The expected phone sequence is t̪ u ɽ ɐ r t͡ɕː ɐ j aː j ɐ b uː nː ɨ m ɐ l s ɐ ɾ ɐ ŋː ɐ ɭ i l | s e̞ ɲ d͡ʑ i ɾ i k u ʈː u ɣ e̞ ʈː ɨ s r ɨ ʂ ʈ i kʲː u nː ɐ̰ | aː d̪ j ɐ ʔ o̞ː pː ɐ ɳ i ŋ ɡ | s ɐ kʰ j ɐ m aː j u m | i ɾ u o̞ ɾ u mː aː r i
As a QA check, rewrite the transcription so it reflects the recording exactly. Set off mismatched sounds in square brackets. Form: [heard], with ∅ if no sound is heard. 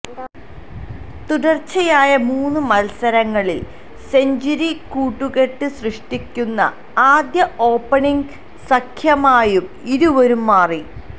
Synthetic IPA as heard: t̪ u ɽ ɐ r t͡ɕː ɐ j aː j ɐ [m] uː nː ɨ m ɐ l s ɐ ɾ ɐ ŋː ɐ ɭ i l | s e̞ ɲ d͡ʑ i ɾ i k [uː] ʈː u ɣ e̞ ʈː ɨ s r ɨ ʂ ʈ i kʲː u nː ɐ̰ | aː d̪ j ɐ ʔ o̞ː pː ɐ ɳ i ŋ ɡ | s ɐ kʰ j ɐ m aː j u m | i ɾ u o̞ ɾ u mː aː r i